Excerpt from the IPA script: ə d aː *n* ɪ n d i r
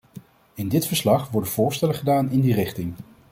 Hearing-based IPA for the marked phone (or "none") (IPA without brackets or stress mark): n